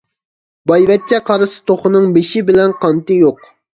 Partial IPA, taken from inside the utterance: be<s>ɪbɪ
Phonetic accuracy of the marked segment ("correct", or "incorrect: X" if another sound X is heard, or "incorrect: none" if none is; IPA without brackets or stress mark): incorrect: ʃ